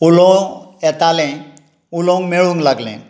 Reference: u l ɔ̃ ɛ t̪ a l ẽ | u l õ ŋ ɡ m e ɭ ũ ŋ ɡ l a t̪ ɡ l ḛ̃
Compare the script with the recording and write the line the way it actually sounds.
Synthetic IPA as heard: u l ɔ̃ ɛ t̪ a l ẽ | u l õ ŋ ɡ m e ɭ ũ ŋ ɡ l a ɡ l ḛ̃